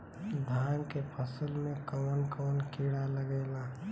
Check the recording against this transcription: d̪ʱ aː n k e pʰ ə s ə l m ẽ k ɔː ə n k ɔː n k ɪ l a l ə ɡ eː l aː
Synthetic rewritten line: d̪ʱ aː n k e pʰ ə s ə l m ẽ k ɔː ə n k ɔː n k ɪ ɽ a l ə ɡ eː l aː

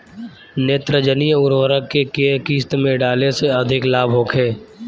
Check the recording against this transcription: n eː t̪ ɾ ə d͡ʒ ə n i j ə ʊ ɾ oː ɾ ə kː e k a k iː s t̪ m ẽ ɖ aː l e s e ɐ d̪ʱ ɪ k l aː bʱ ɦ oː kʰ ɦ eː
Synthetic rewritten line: n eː t̪ ɾ ə d͡ʒ ə n i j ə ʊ ɾ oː ɾ ə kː e k e k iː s t̪ m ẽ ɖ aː l e s e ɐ d̪ʱ ɪ k l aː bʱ ɦ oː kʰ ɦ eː

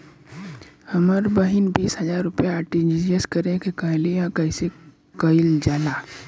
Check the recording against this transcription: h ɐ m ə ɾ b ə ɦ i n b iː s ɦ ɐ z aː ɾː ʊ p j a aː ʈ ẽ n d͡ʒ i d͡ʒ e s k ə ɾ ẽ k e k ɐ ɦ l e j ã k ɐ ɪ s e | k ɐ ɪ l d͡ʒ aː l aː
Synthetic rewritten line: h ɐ m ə ɾ b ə ɦ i n b iː s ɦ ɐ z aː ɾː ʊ p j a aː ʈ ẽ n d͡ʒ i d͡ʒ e s k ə ɾ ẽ k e k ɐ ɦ l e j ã k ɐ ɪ s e | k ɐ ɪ l d͡ʒ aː l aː

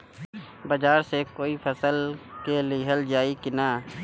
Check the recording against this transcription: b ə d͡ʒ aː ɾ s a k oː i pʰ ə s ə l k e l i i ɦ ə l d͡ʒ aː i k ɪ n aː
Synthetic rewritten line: b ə d͡ʒ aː ɾ s e k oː i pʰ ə s ə l k e l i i ɦ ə l d͡ʒ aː i k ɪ n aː

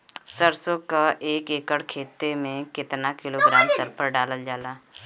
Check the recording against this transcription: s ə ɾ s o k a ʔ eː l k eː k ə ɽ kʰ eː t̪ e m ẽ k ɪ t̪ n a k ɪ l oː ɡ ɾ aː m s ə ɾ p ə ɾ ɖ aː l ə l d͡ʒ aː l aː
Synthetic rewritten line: s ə ɾ s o k a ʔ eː k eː k ə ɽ kʰ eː t̪ e m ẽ k ɪ t̪ n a k ɪ l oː ɡ ɾ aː m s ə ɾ p ə ɾ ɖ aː l ə l d͡ʒ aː l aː

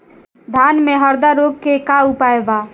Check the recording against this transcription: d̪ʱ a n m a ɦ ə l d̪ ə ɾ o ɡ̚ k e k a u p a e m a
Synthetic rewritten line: d̪ʱ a n m e ɦ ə ɾ d̪ a ɾ o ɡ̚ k e k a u p a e b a

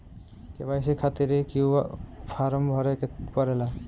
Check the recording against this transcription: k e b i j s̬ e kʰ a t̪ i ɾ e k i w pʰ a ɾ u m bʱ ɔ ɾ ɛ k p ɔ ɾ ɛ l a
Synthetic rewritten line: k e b a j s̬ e kʰ a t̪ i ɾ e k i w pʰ a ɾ ɔ m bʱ ɔ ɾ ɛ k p ɔ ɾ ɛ l a

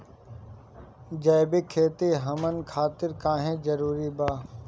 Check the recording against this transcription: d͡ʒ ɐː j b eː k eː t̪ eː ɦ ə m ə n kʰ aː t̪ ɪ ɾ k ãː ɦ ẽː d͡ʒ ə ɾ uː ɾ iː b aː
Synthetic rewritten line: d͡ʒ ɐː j b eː kʰ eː t̪ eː ɦ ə m ə n kʰ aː t̪ ɪ ɾ k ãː ɦ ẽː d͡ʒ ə ɾ uː ɾ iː b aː

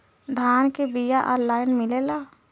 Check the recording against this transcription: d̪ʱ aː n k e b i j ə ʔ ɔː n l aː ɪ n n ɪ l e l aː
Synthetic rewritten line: d̪ʱ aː n k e b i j a ʔ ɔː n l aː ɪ n m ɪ l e l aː

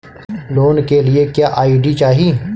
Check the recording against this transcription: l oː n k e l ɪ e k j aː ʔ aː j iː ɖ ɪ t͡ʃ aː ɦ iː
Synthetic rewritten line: l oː n k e l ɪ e k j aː ʔ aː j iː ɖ i t͡ʃ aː ɦ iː

